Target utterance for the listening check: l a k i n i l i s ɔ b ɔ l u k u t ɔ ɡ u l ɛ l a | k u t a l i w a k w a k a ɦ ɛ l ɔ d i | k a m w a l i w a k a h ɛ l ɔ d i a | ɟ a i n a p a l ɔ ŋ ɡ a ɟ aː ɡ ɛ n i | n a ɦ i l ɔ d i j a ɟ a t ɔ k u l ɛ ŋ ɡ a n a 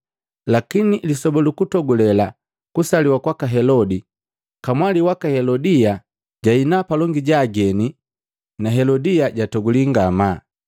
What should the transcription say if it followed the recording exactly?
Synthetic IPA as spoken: l a k i n i l i s ɔ b ɔ l u k u t ɔ ɡ u l ɛ l a | k u s a l i w a k w a k a ɦ ɛ l ɔ d i | k a m w a l i w a k a h ɛ l ɔ d i a | ɟ a i n a p a l ɔ ŋ ɡ i ɟ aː ɡ ɛ n i | n a ɦ ɛ l ɔ d i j a ɟ a t ɔ ɡ u l i ŋ ɡ a m a